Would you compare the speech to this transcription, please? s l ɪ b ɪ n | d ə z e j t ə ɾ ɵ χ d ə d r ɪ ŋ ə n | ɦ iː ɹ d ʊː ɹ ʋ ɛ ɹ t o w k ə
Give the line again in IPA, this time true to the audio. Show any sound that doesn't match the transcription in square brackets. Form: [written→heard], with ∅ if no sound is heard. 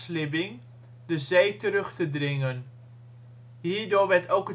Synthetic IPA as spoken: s l ɪ b ɪ [n→ŋ] | d ə z e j t ə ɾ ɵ χ [d→t] ə d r ɪ ŋ ə n | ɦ iː ɹ d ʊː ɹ ʋ ɛ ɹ t o w k ə